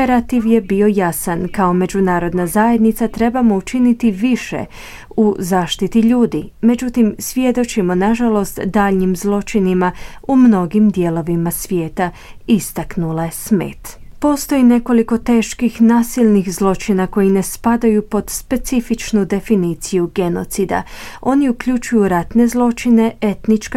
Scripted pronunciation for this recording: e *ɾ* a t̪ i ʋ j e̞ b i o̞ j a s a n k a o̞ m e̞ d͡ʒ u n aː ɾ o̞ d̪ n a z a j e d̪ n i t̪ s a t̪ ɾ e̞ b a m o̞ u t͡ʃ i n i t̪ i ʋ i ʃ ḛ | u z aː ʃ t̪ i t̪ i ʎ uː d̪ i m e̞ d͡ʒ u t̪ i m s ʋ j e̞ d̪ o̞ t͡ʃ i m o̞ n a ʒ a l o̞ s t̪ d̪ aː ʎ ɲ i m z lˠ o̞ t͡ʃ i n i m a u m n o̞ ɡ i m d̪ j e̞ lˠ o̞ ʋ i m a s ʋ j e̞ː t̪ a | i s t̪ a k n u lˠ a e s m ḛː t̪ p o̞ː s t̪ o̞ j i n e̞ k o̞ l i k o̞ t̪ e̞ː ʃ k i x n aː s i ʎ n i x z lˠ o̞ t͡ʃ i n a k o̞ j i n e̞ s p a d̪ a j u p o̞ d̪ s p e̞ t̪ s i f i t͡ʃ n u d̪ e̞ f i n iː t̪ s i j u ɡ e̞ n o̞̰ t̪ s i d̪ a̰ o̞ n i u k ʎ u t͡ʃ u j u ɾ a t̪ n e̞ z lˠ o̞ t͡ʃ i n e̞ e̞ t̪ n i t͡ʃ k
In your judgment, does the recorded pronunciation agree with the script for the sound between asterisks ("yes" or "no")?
yes